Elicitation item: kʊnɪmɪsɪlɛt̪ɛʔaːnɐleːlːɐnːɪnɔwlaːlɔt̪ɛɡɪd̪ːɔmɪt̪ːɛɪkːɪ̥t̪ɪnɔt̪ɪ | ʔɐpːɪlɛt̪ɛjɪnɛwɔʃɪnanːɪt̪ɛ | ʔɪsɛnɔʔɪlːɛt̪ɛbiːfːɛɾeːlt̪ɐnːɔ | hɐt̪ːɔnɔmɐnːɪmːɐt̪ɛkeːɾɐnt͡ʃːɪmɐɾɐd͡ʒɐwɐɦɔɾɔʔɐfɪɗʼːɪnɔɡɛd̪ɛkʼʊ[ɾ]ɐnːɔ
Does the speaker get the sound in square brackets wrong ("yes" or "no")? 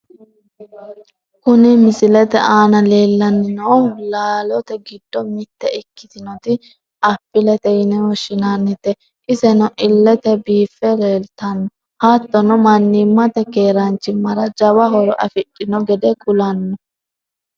yes